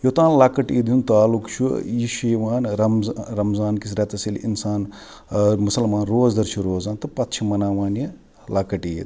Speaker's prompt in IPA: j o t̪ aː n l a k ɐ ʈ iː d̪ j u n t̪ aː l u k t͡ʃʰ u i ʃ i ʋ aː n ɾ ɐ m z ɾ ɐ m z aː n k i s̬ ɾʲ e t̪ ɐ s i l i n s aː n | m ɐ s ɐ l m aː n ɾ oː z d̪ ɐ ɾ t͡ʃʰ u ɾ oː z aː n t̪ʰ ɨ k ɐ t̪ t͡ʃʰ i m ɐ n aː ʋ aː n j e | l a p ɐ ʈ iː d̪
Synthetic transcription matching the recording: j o t̪ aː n l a k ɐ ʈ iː d̪ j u n t̪ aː l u k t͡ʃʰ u i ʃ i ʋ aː n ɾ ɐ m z ɾ ɐ m z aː n k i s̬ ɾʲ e t̪ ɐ s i l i n s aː n | m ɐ s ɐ l m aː n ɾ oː z d̪ ɐ ɾ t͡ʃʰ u ɾ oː z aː n t̪ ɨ p ɐ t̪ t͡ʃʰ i m ɐ n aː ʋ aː n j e | l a k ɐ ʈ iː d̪